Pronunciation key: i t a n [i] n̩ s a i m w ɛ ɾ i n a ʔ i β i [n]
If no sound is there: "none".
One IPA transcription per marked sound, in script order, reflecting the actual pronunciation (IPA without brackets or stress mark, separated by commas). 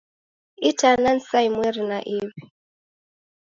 a, none